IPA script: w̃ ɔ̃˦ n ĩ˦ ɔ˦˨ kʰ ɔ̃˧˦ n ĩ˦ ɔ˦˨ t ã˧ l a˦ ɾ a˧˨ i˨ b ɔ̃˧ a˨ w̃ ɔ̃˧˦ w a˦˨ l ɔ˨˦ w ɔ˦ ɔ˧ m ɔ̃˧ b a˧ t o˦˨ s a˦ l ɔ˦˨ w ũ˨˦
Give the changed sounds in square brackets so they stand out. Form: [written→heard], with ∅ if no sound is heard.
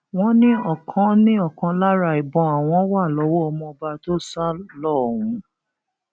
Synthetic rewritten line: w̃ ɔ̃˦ n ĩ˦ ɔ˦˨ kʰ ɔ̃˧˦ n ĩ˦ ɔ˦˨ [t→k] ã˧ l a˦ ɾ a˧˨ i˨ b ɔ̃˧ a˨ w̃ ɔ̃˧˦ w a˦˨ l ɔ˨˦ w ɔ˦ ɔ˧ m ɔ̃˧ b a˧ t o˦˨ s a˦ l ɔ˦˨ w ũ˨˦